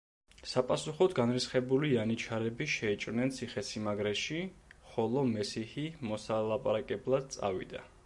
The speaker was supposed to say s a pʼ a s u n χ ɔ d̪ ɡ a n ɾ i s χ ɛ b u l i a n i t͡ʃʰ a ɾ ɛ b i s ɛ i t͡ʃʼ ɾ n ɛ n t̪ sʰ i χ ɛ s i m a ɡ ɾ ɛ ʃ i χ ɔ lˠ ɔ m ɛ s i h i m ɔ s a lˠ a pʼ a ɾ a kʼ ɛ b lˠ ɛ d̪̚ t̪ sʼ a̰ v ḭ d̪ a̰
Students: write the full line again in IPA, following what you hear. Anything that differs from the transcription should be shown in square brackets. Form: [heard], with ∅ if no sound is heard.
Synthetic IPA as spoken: s a pʼ a s u [∅] χ ɔ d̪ ɡ a n ɾ i s χ ɛ b u l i a n i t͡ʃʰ a ɾ ɛ b i [ʃ] ɛ i t͡ʃʼ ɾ n ɛ n t̪ sʰ i χ ɛ s i m a ɡ ɾ ɛ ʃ i χ ɔ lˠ ɔ m ɛ s i h i m ɔ s a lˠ a pʼ a ɾ a kʼ ɛ b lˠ [a] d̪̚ t̪ sʼ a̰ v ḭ d̪ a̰